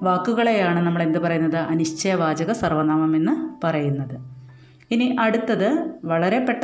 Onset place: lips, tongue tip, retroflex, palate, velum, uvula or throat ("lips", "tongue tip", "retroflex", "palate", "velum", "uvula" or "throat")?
lips